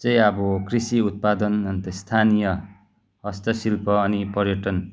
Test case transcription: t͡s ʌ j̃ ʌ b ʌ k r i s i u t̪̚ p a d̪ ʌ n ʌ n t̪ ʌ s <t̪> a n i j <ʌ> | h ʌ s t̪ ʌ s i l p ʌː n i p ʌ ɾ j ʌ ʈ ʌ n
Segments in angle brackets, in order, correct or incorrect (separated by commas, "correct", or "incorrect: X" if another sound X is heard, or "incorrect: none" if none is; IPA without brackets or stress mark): incorrect: t̪ʰ, correct